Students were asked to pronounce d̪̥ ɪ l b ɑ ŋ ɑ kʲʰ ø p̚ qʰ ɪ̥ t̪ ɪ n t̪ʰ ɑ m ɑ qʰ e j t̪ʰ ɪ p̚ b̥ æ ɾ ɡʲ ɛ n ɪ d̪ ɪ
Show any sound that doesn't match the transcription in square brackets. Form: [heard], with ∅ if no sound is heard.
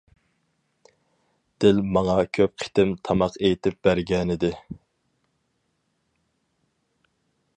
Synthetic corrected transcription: d̪̥ ɪ l [m] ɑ ŋ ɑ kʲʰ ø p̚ qʰ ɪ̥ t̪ ɪ [m] t̪ʰ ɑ m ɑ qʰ e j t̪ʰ ɪ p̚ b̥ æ ɾ ɡʲ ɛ n ɪ d̪ ɪ